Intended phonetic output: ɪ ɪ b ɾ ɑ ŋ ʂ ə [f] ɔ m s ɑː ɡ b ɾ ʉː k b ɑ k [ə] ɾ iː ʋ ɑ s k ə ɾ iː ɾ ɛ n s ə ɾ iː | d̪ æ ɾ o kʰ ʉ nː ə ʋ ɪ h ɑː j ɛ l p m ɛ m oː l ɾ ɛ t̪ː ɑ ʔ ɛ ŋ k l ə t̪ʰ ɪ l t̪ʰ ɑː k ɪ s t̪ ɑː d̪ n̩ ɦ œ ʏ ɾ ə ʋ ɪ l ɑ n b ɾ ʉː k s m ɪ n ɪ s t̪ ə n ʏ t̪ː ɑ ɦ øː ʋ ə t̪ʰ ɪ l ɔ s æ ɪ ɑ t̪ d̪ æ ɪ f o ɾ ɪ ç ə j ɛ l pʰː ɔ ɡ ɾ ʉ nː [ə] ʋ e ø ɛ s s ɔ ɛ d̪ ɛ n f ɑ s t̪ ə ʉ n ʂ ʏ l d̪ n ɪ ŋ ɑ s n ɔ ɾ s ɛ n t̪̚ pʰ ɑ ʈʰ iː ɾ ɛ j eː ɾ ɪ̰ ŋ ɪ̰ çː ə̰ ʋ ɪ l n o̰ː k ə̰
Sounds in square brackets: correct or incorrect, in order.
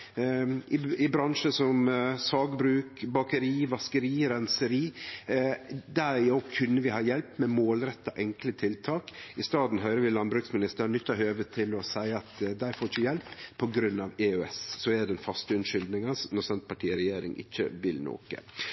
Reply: incorrect: s, correct, incorrect: ɑ

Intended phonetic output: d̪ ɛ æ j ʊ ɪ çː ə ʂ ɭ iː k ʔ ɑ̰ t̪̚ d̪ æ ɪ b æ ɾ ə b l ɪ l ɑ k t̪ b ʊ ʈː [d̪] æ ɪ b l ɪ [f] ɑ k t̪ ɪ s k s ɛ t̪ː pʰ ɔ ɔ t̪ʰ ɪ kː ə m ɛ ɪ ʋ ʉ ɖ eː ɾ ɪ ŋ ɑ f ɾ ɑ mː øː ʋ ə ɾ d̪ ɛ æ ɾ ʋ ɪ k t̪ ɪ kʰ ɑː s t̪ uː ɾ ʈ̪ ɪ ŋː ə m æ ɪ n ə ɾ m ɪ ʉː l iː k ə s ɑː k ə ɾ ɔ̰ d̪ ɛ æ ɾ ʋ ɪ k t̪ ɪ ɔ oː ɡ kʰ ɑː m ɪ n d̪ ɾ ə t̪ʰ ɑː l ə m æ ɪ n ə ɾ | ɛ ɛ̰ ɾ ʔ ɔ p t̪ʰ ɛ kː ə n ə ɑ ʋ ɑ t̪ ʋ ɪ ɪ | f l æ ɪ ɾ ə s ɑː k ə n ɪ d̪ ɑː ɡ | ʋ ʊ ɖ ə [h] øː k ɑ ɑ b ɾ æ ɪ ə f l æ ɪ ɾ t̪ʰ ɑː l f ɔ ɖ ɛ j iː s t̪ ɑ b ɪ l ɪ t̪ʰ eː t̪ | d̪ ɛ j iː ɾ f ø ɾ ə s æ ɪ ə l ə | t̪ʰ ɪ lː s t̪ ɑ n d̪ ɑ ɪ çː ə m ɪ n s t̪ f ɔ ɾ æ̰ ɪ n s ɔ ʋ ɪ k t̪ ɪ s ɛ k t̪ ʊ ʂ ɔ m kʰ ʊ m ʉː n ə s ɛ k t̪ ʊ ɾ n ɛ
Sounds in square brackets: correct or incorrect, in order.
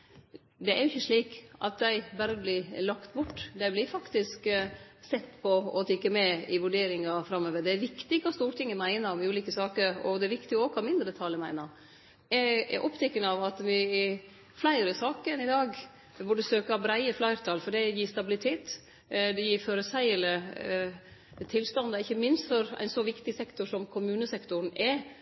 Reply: correct, correct, incorrect: s

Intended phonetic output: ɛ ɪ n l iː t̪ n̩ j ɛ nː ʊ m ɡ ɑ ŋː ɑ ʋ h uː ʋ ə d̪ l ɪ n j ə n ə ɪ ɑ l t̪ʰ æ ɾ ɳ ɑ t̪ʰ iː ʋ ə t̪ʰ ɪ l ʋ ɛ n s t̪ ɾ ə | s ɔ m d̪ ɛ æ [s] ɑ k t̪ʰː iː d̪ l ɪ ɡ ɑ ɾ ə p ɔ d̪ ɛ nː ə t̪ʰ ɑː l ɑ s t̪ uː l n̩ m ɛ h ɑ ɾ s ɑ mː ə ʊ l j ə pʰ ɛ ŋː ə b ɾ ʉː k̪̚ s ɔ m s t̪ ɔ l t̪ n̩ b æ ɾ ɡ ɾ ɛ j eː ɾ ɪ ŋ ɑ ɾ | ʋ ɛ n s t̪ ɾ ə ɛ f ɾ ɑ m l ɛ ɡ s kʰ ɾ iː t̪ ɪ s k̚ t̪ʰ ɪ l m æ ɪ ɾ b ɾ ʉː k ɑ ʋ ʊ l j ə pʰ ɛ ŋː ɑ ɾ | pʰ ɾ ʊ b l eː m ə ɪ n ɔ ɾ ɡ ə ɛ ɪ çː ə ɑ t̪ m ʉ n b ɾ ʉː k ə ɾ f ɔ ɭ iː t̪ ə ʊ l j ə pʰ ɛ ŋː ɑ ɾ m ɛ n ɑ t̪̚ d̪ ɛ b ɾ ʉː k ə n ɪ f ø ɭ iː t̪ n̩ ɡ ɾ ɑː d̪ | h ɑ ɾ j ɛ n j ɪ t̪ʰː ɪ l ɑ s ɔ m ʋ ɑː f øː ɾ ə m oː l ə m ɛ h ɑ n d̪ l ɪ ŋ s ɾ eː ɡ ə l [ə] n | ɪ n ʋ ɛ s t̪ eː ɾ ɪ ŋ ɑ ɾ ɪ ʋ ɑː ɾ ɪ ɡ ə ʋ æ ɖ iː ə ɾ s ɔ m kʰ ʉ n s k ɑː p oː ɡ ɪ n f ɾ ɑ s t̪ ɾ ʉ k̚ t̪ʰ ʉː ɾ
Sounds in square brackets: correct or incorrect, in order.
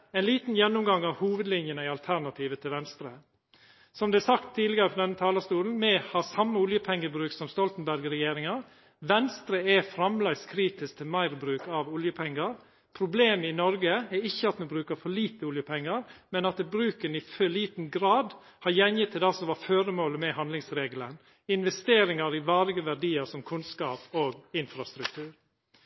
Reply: correct, correct

